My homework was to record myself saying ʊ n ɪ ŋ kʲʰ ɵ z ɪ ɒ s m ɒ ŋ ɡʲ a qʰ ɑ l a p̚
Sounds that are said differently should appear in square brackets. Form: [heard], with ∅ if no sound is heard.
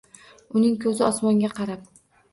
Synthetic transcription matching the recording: ʊ n ɪ ŋ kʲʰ ɵ z ɪ ɒ s m ɒ ŋ ɡʲ a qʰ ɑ [ɾ] a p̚